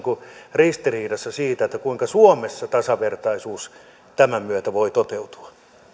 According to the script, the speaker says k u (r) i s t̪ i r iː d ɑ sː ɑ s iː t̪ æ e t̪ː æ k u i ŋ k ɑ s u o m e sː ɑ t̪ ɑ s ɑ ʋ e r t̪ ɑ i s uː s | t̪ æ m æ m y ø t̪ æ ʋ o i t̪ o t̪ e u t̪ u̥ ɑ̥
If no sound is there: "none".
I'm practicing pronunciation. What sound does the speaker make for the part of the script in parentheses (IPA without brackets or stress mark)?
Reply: r